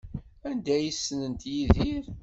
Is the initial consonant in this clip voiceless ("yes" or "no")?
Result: no